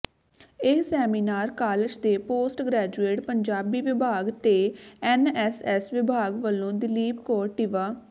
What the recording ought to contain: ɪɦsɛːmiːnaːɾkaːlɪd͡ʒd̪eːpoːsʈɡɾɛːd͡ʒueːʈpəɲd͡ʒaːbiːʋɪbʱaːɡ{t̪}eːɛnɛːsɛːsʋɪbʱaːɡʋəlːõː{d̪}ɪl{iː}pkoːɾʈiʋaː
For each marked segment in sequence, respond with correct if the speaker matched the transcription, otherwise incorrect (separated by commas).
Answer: correct, correct, correct